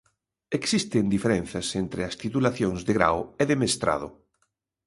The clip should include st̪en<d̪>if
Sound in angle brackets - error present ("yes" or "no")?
no